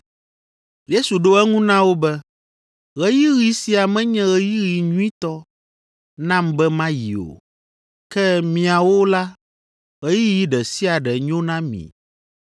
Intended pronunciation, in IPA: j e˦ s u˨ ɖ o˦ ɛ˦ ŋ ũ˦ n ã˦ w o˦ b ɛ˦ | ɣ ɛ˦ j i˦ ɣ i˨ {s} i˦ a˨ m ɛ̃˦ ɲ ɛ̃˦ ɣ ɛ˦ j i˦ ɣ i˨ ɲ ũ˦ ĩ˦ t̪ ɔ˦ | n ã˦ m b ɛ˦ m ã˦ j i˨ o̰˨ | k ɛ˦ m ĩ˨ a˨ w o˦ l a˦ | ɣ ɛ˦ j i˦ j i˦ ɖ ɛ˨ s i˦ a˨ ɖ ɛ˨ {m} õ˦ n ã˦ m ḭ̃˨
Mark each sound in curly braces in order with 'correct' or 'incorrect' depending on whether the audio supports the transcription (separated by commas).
correct, incorrect